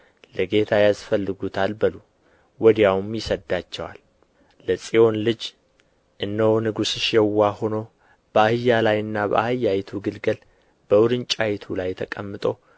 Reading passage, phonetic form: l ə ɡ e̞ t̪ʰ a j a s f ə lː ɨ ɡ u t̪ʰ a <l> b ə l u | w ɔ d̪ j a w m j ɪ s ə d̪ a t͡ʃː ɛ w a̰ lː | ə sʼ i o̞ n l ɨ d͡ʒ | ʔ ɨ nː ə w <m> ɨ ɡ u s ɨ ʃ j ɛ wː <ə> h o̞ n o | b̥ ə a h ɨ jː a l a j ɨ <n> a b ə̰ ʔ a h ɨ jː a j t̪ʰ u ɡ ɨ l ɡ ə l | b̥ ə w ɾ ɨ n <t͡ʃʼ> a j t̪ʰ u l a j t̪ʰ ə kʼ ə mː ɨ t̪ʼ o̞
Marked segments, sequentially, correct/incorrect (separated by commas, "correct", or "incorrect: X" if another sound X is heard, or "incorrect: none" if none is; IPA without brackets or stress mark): correct, incorrect: n, incorrect: a, incorrect: nː, correct